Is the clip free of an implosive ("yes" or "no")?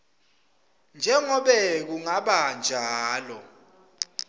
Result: no